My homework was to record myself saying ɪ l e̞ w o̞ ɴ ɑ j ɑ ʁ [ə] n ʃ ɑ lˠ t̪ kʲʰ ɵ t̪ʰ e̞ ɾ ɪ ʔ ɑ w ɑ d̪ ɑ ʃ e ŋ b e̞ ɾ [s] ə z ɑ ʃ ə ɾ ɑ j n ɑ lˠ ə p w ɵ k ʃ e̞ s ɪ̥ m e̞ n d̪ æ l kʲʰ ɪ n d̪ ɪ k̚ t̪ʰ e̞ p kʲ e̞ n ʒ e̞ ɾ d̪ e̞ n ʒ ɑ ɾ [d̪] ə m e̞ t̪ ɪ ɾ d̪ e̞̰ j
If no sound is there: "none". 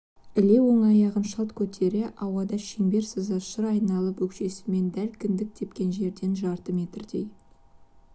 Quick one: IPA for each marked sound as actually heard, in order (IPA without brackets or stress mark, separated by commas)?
ə, s, t̪